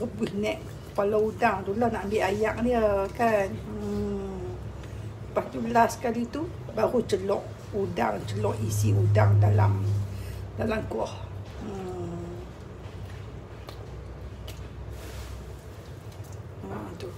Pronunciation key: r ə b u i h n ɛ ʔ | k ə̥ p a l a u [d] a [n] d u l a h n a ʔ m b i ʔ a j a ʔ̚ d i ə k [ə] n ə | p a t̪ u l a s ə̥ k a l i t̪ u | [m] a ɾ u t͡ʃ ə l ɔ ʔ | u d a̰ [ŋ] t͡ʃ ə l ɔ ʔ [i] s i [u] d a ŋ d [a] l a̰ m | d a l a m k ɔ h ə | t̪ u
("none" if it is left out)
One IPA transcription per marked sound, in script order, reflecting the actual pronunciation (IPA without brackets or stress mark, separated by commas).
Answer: d, ŋ, a, b, ŋ, i, u, a